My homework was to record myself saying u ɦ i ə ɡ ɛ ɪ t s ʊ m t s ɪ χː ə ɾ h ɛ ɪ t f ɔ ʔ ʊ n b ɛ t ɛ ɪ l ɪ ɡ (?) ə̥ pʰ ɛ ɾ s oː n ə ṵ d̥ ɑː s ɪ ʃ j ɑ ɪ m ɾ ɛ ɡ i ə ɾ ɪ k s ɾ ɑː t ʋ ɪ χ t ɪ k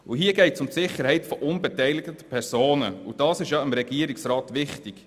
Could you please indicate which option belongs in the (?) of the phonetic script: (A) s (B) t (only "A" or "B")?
B